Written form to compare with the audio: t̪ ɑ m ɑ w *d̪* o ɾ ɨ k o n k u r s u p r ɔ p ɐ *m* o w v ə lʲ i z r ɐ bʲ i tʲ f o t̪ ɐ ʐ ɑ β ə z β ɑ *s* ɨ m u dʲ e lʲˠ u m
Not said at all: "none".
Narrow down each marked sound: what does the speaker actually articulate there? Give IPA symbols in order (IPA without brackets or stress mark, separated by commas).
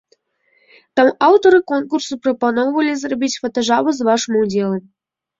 t̪, n, ʂ